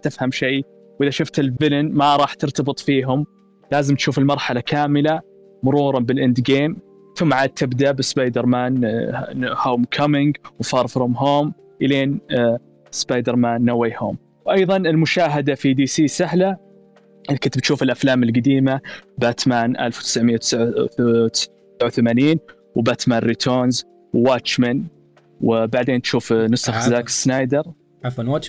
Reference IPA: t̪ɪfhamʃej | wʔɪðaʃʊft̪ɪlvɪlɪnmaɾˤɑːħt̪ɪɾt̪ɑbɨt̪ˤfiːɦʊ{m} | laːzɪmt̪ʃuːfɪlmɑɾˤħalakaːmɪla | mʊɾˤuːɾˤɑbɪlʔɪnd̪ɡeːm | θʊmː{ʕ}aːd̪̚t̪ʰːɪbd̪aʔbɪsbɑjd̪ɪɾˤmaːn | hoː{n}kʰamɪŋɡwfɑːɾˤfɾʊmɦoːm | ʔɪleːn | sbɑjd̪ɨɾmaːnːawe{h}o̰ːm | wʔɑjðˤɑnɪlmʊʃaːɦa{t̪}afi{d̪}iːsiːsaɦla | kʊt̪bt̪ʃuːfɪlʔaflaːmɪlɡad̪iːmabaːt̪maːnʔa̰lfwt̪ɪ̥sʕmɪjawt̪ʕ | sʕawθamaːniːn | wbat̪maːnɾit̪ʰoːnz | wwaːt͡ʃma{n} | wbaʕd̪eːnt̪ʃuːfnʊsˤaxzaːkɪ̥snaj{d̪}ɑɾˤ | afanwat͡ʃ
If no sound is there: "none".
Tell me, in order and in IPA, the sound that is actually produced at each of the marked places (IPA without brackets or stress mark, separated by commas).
m, ʕ, m, h, d̪, d̪, n, d̪